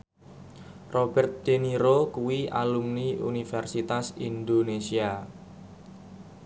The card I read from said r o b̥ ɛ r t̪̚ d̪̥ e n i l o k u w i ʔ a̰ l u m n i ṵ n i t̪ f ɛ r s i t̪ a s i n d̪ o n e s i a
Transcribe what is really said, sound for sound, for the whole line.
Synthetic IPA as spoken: r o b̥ ɛ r t̪̚ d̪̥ e n i ɾ o k u w i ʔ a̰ l u m n i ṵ n i f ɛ r s i t̪ a s i n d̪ o n e s i a